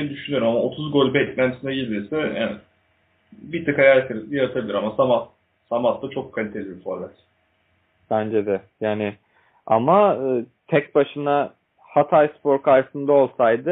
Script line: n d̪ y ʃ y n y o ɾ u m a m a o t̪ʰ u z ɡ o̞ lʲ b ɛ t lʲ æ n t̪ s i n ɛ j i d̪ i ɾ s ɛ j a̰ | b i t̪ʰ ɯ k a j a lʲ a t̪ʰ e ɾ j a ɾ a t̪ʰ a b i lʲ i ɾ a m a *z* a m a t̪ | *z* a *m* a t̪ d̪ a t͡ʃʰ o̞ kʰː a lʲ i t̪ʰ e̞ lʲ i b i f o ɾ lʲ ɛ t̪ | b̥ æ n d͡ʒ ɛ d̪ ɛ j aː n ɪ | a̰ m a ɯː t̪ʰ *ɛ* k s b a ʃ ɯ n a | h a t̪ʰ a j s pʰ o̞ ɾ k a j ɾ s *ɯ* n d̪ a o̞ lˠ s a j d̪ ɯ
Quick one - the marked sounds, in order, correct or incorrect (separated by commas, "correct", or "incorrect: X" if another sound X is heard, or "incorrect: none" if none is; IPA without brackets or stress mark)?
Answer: incorrect: s, incorrect: s, correct, correct, correct